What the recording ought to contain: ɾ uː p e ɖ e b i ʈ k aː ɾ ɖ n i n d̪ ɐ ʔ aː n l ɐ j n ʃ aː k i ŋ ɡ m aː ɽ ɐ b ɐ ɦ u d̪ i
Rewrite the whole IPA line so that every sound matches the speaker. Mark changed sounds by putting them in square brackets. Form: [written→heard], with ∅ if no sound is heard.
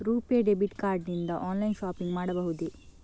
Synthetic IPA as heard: ɾ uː p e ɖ e b i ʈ k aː ɾ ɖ n i n d̪ ɐ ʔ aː n l ɐ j n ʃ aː [k→p] i ŋ ɡ m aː ɽ ɐ b ɐ ɦ u d̪ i